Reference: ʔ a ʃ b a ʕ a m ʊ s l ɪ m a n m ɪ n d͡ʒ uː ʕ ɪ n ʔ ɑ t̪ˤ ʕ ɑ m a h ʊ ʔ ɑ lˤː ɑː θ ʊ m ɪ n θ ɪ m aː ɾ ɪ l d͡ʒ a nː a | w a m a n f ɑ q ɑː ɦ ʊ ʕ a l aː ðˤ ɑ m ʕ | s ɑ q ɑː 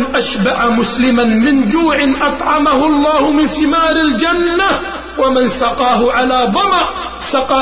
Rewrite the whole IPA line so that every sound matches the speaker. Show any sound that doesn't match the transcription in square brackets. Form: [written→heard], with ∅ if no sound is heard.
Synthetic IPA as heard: ʔ a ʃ b a ʕ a m ʊ s l ɪ m a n m ɪ n d͡ʒ uː ʕ ɪ n ʔ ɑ t̪ˤ ʕ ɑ m a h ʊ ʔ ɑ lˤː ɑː [θ→h] ʊ m ɪ n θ ɪ m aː ɾ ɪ l d͡ʒ a nː a | w a m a n [f→s] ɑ q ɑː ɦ ʊ ʕ a l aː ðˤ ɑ m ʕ | s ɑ q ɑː